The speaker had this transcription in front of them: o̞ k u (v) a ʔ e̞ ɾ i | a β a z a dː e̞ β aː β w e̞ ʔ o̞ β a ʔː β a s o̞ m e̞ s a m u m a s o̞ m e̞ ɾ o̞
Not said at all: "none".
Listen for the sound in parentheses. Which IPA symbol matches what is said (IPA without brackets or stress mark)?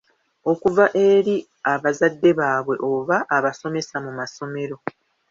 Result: v